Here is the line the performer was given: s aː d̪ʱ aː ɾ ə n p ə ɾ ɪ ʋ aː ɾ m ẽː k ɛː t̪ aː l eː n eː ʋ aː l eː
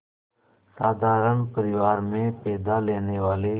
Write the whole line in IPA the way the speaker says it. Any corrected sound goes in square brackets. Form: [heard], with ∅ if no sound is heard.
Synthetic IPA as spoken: s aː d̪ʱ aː ɾ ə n p ə ɾ ɪ ʋ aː ɾ m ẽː [p] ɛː [d̪] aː l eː n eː ʋ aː l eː